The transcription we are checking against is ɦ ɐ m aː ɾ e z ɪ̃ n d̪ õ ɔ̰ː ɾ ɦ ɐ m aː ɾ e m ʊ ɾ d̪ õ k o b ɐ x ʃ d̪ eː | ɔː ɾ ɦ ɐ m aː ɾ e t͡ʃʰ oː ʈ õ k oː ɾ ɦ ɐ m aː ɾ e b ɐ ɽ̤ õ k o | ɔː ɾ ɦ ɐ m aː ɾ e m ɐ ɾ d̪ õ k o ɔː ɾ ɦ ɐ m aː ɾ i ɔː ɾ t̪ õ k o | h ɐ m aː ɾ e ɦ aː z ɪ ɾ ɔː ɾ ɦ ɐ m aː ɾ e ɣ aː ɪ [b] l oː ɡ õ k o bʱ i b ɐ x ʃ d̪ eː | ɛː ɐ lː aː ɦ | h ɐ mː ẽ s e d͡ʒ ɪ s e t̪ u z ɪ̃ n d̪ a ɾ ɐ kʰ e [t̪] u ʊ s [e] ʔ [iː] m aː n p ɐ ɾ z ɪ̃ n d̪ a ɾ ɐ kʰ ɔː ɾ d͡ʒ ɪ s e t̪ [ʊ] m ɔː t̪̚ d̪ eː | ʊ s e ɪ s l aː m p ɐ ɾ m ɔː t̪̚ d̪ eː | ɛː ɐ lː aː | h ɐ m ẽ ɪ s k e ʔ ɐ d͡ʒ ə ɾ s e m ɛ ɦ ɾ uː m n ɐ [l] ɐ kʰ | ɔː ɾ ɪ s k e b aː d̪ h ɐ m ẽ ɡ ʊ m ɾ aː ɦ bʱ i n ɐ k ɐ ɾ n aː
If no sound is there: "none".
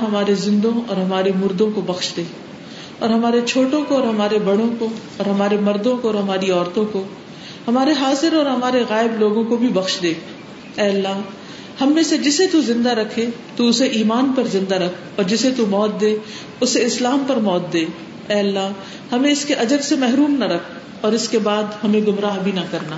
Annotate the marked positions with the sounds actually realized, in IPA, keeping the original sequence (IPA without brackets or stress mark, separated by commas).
b, t̪, e, iː, u, ɾ